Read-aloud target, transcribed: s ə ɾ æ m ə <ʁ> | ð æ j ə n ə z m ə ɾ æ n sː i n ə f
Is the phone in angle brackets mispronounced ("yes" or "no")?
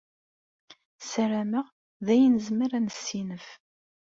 no